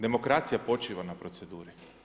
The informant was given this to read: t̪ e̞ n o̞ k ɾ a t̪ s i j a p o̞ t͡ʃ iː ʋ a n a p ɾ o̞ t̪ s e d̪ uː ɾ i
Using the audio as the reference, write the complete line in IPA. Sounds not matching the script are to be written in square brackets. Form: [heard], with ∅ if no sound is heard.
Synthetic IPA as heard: [d̪] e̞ [m] o̞ k ɾ a t̪ s i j a p o̞ t͡ʃ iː ʋ a n a p ɾ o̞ t̪ s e d̪ uː ɾ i